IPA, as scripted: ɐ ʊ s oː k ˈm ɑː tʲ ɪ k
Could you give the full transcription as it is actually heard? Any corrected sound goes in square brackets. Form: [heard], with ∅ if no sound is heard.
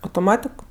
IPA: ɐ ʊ [t] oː [∅] ˈm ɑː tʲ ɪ k

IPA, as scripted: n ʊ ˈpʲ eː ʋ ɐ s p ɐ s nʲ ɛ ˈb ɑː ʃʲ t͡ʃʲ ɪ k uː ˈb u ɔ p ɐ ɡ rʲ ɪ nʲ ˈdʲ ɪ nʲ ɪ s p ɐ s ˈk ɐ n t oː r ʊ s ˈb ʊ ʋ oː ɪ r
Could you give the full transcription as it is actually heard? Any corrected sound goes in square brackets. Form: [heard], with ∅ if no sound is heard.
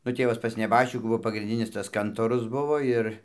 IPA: n ʊ [ˈtʲ] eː ʋ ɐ s p ɐ s nʲ ɛ ˈb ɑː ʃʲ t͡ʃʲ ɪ k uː ˈb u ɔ p ɐ ɡ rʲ ɪ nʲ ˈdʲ ɪ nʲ ɪ s [t] ɐ s ˈk ɐ n t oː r ʊ s ˈb ʊ ʋ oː ɪ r

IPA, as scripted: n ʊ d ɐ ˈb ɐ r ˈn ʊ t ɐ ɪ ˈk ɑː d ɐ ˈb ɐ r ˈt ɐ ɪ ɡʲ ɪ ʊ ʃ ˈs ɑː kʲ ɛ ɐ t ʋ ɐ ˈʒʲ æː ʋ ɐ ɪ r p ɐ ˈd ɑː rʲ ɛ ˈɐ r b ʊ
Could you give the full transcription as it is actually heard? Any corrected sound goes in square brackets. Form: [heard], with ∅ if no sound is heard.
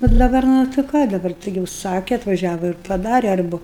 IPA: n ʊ d ɐ ˈb ɐ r ˈn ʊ t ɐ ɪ ˈk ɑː d ɐ ˈb ɐ r ˈt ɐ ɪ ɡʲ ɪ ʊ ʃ ˈs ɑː kʲ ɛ ɐ t ʋ ɐ ˈʒʲ æː ʋ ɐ ɪ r p ɐ ˈd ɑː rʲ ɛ ˈɐ r b ʊ

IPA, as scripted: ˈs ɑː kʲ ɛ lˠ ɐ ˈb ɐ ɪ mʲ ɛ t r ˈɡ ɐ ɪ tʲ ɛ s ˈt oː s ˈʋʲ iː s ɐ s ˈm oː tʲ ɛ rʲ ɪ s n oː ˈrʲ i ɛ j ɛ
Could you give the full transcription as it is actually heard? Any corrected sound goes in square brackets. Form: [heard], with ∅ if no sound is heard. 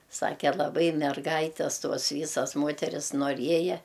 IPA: ˈs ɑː kʲ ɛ lˠ ɐ ˈb ɐ ɪ mʲ ɛ [∅] r ˈɡ ɐ ɪ tʲ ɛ s ˈt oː s ˈʋʲ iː s ɐ s ˈm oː tʲ ɛ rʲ ɪ s n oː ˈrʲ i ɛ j ɛ

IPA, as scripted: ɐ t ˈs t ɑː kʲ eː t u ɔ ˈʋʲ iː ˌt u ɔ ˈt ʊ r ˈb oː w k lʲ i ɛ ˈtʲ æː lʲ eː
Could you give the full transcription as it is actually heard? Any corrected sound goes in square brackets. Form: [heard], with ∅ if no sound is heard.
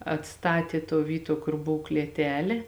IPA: ɐ t ˈs t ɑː [tʲ] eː t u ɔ ˈʋʲ iː ˌt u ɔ [ˈk] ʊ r ˈb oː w k lʲ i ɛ ˈtʲ æː lʲ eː

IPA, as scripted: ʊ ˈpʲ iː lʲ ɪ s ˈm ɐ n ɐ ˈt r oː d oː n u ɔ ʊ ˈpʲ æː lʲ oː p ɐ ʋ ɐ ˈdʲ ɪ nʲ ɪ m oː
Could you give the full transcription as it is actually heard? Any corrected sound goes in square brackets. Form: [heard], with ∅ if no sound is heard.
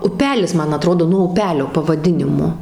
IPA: ʊ ˈpʲ [æː] lʲ ɪ s ˈm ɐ n ɐ ˈt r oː d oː n u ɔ ʊ ˈpʲ æː lʲ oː p ɐ ʋ ɐ ˈdʲ ɪ nʲ ɪ m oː

